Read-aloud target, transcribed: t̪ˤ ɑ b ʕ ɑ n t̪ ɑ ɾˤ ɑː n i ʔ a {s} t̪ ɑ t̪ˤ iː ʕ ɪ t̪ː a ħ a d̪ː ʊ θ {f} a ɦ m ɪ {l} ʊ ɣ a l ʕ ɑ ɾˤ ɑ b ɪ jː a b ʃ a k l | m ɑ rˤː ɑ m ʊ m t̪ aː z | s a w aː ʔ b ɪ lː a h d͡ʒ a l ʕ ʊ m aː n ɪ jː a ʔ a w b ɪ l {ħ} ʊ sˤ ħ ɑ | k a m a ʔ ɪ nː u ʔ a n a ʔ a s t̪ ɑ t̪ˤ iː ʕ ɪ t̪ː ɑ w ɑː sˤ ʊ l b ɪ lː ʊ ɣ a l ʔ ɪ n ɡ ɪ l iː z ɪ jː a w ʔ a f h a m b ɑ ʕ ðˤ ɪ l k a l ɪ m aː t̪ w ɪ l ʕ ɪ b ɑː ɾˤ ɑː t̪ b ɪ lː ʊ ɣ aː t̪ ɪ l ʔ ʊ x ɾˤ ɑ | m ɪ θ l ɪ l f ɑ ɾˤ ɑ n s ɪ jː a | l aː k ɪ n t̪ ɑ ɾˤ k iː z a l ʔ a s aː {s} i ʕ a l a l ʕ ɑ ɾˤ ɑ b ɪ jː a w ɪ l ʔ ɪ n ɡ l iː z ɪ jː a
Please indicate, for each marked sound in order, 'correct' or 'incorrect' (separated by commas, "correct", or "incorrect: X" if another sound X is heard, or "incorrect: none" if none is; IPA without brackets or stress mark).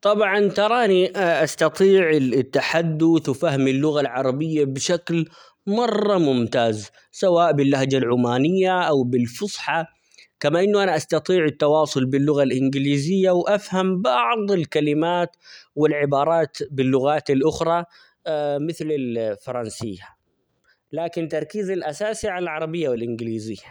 correct, correct, incorrect: lː, incorrect: f, correct